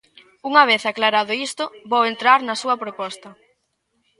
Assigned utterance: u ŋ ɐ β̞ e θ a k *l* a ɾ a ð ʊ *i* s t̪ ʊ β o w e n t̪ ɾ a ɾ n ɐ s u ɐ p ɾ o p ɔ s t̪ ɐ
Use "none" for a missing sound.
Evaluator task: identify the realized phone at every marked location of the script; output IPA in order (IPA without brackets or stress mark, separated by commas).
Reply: l, i